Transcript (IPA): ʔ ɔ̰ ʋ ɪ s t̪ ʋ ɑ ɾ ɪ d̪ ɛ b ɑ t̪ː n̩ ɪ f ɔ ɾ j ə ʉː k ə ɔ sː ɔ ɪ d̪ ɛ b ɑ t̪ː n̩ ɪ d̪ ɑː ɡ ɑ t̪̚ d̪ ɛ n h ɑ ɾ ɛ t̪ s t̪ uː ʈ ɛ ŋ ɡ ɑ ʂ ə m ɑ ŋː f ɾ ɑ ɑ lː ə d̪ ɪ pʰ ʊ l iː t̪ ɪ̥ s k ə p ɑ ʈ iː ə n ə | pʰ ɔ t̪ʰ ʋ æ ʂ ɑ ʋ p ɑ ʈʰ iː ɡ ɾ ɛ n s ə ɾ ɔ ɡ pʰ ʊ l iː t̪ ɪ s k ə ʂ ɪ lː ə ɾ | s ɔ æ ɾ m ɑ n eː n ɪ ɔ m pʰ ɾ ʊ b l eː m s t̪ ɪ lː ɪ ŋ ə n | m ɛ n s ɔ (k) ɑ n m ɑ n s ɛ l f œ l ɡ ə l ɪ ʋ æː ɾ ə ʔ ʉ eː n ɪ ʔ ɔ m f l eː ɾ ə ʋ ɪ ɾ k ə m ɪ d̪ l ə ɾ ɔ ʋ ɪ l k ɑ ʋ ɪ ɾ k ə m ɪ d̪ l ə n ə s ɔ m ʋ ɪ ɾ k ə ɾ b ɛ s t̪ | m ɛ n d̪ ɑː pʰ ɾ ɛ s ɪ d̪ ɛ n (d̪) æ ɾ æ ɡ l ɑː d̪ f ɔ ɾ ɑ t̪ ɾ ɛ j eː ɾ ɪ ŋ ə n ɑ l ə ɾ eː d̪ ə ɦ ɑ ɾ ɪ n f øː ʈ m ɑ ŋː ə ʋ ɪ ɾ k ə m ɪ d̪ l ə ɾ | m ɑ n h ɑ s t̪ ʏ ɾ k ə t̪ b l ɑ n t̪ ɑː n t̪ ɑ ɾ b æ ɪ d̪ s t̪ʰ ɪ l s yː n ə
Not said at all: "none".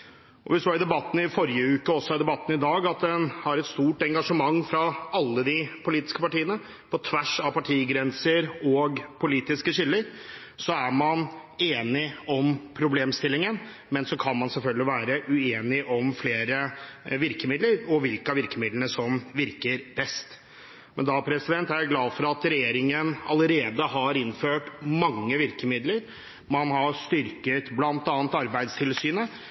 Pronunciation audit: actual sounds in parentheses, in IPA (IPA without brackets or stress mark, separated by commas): kʰ, t̪